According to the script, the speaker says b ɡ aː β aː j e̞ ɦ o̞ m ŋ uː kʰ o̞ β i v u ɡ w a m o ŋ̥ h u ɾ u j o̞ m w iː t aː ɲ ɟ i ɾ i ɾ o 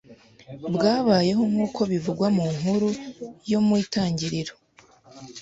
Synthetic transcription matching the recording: b ɡ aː β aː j e̞ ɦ o̞ m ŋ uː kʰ o̞ β i v u ɡ w a m u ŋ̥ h u ɾ u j o̞ m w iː t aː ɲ ɟ i ɾ i ɾ o